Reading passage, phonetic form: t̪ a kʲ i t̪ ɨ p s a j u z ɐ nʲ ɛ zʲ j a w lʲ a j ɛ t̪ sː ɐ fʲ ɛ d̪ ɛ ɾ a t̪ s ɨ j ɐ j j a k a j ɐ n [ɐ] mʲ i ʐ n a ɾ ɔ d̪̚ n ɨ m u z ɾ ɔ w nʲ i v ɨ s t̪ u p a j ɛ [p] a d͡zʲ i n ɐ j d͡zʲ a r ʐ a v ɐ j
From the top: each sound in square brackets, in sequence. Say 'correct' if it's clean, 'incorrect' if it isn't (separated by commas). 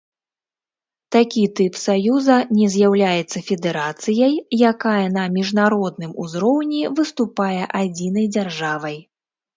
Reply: correct, incorrect